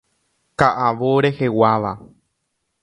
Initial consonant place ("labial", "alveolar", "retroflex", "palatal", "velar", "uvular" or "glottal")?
velar